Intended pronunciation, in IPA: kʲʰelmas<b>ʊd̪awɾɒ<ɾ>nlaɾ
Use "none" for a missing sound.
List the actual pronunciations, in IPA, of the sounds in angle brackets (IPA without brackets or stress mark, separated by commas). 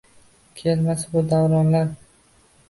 b, none